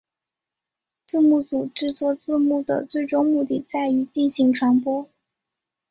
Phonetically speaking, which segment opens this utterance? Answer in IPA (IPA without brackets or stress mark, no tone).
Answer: t͡s